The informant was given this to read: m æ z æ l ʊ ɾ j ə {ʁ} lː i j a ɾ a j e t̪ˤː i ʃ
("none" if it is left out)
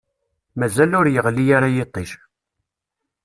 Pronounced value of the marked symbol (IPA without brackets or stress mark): ʁ